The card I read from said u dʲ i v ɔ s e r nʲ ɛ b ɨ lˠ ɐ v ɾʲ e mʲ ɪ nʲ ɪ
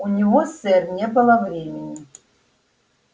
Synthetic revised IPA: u nʲ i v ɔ s ɛ r nʲ ɛ b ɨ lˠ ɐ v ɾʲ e mʲ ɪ nʲ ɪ